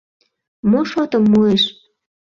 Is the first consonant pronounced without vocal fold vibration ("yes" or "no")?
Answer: no